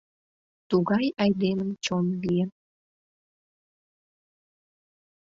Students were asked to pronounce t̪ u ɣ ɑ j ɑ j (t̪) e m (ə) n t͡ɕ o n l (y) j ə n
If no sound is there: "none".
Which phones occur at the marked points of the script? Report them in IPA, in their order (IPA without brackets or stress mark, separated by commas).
d̪, ə, i